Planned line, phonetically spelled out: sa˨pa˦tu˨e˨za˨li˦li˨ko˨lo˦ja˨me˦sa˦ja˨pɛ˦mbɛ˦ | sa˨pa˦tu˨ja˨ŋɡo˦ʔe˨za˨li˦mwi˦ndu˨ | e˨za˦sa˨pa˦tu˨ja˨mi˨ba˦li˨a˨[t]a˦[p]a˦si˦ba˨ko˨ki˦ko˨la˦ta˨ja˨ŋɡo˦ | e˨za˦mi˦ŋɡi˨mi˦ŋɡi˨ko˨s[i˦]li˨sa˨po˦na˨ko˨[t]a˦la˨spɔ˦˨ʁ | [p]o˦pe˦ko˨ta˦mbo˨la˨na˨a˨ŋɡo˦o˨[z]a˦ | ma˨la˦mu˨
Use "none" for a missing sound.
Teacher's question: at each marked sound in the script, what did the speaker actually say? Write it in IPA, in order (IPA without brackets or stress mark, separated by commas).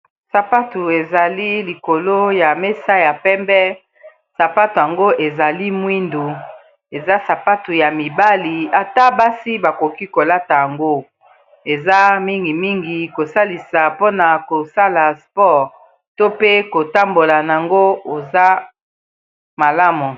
t, b, a˦, s, t, z